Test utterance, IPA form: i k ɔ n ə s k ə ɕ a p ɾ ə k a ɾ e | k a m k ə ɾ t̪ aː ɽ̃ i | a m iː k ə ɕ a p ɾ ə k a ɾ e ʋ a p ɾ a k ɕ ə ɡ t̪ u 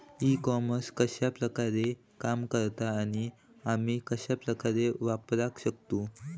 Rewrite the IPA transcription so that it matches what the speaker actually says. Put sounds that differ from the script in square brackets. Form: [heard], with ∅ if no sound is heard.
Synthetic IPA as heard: i k ɔ [m] ə s k ə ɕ a p ɾ ə k a ɾ e | k a m k ə ɾ t̪ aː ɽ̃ i | a m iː k ə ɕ a p ɾ ə k a ɾ e ʋ a p ɾ a k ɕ ə [k] t̪ u